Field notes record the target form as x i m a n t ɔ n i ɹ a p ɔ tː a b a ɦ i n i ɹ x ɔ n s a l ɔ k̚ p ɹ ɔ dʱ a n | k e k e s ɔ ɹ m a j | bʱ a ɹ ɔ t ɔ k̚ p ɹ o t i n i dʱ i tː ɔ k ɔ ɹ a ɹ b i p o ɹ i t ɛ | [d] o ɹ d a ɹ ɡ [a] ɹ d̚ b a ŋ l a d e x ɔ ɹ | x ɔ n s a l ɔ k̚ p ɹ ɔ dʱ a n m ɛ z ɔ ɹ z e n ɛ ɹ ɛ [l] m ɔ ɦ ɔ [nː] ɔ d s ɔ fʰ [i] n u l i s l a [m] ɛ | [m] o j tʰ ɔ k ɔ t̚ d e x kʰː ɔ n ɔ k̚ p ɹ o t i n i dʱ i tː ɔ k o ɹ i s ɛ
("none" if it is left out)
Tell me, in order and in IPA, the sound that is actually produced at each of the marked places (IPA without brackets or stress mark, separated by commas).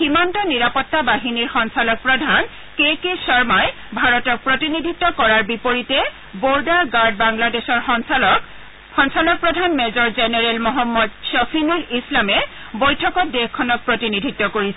b, a, l, mː, i, m, b